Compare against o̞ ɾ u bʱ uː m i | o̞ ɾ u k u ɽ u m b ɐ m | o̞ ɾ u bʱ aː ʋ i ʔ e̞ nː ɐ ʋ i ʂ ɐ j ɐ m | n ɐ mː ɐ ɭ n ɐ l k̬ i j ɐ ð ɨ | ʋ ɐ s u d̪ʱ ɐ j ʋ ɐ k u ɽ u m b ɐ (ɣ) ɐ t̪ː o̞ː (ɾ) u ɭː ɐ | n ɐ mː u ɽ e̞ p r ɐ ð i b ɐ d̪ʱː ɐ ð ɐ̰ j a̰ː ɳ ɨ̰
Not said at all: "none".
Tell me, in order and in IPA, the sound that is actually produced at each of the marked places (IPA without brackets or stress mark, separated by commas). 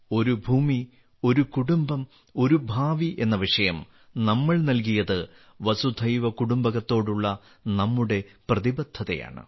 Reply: ɣ, ɽ